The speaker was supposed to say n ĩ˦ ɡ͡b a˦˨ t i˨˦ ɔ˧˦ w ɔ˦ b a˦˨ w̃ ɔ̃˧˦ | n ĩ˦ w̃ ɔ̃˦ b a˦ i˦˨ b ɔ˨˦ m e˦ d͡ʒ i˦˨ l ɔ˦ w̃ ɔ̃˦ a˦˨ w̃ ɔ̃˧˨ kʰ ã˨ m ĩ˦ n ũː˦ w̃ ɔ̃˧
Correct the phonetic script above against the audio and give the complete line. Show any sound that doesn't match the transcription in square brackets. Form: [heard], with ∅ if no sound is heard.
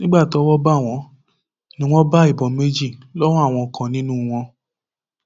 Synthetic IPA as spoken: n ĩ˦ ɡ͡b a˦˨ t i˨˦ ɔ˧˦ w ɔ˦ b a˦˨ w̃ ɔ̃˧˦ | n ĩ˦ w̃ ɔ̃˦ b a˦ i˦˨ b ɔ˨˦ m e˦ d͡ʒ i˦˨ l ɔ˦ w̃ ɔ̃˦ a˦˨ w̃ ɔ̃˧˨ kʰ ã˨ [n] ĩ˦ n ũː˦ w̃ ɔ̃˧